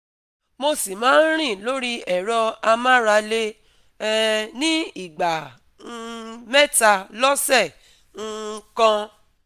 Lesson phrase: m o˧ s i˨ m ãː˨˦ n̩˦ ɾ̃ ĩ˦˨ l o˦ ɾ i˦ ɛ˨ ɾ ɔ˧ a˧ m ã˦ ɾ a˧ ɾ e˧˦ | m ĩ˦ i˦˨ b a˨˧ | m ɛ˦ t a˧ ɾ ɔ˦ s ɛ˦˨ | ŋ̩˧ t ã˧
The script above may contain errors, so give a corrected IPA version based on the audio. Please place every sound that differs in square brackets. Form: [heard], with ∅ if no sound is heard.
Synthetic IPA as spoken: m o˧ s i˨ m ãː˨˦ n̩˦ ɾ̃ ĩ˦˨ l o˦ ɾ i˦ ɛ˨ ɾ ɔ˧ a˧ m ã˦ ɾ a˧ [l] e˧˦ | [n] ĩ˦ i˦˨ [ɡ͡b] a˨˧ | m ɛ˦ t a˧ [l] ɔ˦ s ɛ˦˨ | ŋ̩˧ [k] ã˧